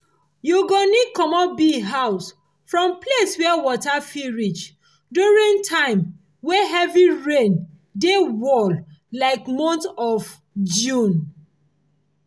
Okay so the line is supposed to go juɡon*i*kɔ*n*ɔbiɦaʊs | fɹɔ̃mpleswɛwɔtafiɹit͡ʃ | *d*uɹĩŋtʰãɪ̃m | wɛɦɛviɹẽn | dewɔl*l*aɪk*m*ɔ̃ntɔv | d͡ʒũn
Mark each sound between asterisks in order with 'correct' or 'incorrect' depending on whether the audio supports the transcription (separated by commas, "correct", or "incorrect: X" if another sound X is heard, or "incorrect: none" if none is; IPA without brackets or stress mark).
correct, incorrect: m, correct, correct, correct